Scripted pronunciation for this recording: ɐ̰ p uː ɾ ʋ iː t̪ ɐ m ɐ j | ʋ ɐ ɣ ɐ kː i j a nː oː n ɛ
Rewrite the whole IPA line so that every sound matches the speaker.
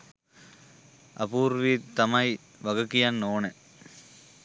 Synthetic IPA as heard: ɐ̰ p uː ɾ ʋ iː t̪ ɐ m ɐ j | ʋ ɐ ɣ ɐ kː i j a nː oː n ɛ